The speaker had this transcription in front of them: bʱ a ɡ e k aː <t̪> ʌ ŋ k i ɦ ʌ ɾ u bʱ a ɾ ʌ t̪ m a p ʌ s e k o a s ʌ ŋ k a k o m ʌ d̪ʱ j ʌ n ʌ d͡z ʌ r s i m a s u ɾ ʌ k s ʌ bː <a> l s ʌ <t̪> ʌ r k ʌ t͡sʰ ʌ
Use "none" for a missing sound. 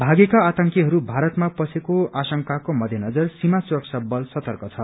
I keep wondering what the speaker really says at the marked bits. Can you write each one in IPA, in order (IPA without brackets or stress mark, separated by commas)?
t̪, ʌ, t̪